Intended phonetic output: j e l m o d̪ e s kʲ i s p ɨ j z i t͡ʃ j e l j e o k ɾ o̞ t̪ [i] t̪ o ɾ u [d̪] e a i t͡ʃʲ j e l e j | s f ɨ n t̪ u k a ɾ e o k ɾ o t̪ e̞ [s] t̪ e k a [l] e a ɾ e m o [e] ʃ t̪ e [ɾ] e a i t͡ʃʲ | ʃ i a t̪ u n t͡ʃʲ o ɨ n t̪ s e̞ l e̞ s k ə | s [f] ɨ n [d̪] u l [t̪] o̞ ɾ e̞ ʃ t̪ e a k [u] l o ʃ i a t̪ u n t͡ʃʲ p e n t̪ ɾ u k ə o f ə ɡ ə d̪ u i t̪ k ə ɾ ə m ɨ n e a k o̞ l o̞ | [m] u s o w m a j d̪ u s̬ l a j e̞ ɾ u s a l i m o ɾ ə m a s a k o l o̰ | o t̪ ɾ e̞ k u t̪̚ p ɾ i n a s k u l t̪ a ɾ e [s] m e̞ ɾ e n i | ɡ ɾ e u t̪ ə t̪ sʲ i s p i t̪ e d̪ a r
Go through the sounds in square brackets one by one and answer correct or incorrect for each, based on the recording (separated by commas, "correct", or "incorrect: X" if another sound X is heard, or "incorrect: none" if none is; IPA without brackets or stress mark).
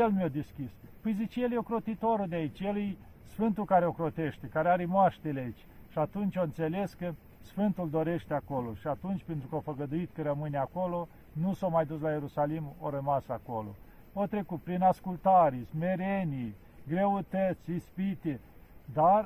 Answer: correct, correct, incorrect: ʃ, incorrect: ɾ, incorrect: a, incorrect: l, correct, incorrect: t̪, incorrect: d̪, incorrect: o, incorrect: n, correct